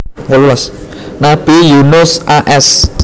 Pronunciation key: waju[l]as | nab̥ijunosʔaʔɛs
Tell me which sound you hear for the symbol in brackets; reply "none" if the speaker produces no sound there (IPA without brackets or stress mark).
l